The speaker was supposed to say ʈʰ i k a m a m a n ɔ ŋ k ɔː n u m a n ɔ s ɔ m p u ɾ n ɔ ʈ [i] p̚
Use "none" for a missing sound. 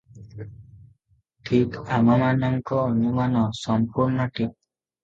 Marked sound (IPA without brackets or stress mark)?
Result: i